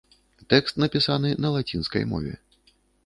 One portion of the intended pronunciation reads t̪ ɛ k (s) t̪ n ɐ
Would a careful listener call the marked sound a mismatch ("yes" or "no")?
no